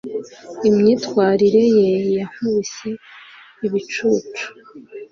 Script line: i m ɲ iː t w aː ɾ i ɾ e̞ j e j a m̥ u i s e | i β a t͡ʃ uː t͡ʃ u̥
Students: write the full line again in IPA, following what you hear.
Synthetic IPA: i m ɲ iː t w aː ɾ i ɾ e̞ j e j a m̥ u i s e | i β i t͡ʃ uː t͡ʃ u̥

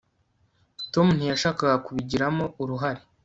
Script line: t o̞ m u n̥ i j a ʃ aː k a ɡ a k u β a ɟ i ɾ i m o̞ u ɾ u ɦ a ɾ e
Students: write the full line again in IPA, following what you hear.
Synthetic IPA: t o̞ m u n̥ i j a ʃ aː k a ɡ a k u β i ɟ i ɾ a m o̞ u ɾ u ɦ a ɾ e

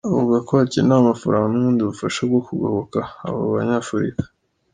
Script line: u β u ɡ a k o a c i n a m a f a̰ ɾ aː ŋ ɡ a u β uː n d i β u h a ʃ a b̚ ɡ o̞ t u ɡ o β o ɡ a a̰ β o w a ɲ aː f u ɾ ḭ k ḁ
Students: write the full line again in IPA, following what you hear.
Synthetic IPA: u β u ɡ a k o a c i n a m a f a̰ ɾ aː ŋ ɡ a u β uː n d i β u f a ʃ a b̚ ɡ o̞ k u ɡ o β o k a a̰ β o β a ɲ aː f u ɾ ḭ k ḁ

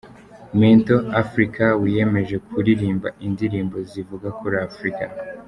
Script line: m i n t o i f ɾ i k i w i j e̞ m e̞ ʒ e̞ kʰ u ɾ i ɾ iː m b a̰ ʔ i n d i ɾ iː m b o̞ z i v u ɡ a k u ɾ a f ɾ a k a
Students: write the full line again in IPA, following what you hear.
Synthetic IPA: m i n t o a f ɾ i k a w i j e̞ m e̞ ʒ e̞ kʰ u ɾ i ɾ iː m b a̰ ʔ i n d i ɾ iː m b o̞ z i v u ɡ a k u ɾ a f ɾ i k a

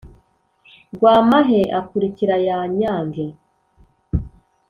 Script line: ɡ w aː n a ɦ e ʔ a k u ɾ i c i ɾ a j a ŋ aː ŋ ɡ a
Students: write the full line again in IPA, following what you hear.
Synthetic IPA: ɡ w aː m a ɦ e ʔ a k u ɾ i c i ɾ a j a ɲ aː ŋ ɡ e

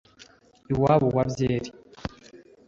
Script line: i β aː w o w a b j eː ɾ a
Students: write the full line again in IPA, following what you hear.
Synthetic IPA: i w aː β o w a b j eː ɾ i

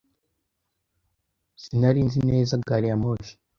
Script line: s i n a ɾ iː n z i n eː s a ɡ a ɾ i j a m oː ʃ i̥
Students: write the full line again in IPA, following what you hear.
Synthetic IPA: s i n a ɾ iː n z i n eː z a ɡ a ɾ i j a m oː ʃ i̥

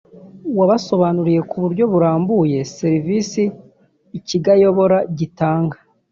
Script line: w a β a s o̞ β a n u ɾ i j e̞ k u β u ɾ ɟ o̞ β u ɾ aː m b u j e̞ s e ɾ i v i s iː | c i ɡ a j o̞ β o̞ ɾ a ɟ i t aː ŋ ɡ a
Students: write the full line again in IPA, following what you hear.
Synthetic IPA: w a β a s o̞ β a n u ɾ i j e̞ k u β u ɾ ɟ o̞ β u ɾ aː m b u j e̞ s e ɾ i v i s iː | c i ɡ a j o̞ β o̞ ɾ a ɟ i t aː ŋ ɡ a

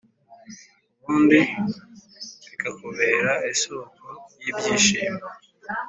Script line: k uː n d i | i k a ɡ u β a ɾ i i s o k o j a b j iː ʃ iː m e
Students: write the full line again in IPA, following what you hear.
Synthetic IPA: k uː n d i | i k a k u β e ɾ a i s o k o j i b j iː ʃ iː m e

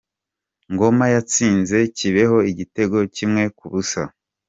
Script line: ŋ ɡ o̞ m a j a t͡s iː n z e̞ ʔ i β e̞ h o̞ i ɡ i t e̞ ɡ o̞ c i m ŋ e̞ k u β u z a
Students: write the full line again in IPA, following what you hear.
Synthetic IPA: ŋ ɡ o̞ m a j a t͡s iː n z e̞ c i β e̞ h o̞ i ɟ i t e̞ ɡ o̞ c i m ŋ e̞ k u β u s a

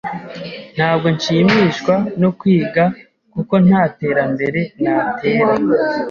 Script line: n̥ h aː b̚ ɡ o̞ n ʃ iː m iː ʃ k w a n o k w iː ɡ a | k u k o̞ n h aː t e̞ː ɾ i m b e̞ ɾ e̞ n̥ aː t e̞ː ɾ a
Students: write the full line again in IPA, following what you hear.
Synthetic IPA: n̥ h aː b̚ ɡ o̞ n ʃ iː m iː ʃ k w a n o k w iː ɡ a | k u k o̞ n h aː t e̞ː ɾ a m b e̞ ɾ e̞ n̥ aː t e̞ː ɾ a

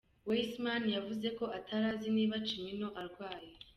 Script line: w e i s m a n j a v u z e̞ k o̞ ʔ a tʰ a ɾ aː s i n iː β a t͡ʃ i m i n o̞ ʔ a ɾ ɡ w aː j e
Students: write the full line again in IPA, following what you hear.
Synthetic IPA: w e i s m a n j a v u z e̞ k o̞ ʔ a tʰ a ɾ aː z i n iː β a t͡ʃ i m i n o̞ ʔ a ɾ ɡ w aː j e

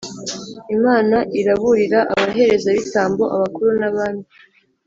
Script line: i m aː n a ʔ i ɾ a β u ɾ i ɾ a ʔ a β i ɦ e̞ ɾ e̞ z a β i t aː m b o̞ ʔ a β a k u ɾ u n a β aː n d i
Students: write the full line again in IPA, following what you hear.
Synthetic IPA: i m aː n a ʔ i ɾ a β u ɾ i ɾ a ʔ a β a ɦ e̞ ɾ e̞ z a β i t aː m b o̞ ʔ a β a k u ɾ u n a β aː n d i

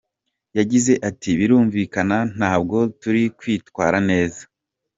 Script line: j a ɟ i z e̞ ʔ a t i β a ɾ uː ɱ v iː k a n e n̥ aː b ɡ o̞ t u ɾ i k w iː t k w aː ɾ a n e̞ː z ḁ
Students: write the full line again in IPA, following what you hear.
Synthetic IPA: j a ɟ i z e̞ ʔ a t i β i ɾ uː ɱ v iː k a n a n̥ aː b ɡ o̞ t u ɾ i k w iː t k w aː ɾ a n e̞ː z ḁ

